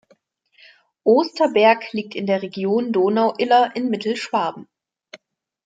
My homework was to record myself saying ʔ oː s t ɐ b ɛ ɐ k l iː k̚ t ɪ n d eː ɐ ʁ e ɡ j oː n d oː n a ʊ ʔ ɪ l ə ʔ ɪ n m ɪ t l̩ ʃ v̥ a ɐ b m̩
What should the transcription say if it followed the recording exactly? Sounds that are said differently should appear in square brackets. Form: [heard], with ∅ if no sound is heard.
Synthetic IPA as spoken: ʔ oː s t ɐ b ɛ ɐ k l iː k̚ t ɪ n d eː ɐ ʁ e ɡ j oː n d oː n a ʊ ʔ ɪ l [ɐ] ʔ ɪ n m ɪ t l̩ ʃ v̥ a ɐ b m̩